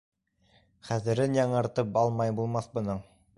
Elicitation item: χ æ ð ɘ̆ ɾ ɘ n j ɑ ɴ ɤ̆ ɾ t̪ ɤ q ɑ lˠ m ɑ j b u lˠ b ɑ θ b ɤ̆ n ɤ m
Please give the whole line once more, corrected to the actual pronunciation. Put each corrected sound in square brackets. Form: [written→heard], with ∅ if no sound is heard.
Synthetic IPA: χ æ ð ɘ̆ ɾ ɘ n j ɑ ɴ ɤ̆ ɾ t̪ ɤ [q→p] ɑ lˠ m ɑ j b u lˠ [b→m] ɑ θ b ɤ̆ n ɤ [m→ɴ]